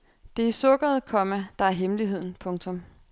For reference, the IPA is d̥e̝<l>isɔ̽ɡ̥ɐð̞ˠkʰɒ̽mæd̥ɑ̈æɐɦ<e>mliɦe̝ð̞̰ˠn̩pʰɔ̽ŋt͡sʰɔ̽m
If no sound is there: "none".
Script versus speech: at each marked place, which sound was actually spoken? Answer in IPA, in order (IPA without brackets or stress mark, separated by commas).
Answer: none, e